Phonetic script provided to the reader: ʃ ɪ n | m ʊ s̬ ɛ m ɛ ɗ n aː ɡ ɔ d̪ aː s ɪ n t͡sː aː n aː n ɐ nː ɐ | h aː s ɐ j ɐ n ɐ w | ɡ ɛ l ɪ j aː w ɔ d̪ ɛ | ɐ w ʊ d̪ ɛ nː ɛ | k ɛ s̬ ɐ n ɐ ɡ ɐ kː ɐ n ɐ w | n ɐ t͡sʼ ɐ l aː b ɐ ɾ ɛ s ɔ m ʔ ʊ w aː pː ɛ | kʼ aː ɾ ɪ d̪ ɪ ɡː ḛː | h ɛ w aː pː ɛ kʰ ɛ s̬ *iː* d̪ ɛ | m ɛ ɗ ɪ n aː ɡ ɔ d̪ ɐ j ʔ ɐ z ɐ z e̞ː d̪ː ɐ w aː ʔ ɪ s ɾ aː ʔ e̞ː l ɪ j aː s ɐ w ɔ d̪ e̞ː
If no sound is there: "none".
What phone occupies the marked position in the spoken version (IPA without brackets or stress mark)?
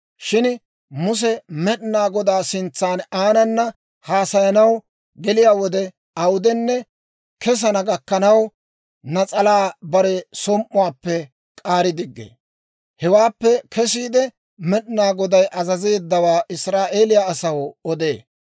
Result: iː